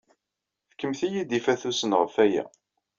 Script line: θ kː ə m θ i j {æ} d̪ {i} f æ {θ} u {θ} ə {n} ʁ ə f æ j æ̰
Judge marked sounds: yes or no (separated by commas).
no, yes, yes, no, yes